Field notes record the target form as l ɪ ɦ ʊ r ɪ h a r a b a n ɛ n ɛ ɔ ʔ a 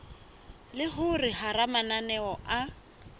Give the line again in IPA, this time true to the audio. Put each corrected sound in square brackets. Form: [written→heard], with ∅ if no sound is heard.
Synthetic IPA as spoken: l ɪ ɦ ʊ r ɪ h a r a [b→m] a n [ɛ→a] n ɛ ɔ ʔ a